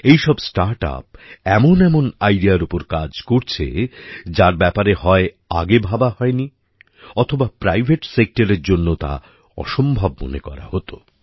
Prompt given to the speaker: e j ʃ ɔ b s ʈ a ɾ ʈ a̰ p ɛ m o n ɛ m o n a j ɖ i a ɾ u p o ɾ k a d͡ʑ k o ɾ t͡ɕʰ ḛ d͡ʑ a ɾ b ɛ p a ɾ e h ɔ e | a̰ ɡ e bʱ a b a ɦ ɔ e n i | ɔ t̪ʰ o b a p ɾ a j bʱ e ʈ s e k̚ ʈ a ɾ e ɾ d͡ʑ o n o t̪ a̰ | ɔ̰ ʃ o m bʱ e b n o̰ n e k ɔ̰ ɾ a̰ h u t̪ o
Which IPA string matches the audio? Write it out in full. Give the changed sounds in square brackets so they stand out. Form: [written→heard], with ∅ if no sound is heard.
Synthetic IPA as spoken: e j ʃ ɔ b s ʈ a ɾ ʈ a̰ p ɛ m o n ɛ m o n a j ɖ i a ɾ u p o ɾ k a d͡ʑ k o ɾ t͡ɕʰ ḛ d͡ʑ a ɾ b ɛ p a ɾ e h ɔ e | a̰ ɡ e bʱ a b a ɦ ɔ e n i | ɔ t̪ʰ o b a p ɾ a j bʱ e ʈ s e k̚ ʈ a ɾ e ɾ d͡ʑ o [n→nː] o t̪ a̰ | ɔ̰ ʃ o m bʱ [e→a] b [n→m] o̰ n e k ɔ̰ ɾ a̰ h [u→o] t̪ o